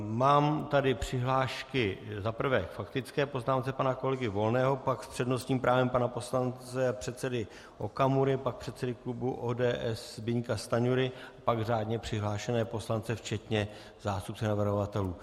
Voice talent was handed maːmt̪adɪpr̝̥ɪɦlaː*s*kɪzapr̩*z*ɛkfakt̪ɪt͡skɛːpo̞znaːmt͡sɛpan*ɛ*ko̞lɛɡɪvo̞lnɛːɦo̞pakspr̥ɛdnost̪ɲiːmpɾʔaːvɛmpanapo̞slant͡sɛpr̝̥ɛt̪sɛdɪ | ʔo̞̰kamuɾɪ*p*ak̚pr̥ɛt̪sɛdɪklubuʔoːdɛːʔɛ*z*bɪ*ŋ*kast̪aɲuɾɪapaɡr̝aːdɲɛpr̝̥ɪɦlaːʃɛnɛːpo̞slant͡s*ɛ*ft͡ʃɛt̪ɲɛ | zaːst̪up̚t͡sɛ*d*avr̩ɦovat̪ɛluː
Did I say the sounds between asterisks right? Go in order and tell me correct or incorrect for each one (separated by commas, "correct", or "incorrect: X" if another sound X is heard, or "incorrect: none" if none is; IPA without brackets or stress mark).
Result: incorrect: ʃ, incorrect: v, incorrect: a, correct, incorrect: s, incorrect: ɲ, correct, incorrect: n